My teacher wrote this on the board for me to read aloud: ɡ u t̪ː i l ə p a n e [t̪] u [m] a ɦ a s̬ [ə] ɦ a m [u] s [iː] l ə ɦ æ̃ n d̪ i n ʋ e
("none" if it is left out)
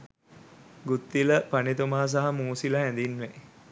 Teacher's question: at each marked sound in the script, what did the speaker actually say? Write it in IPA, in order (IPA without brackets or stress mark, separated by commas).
t̪, m, a, uː, i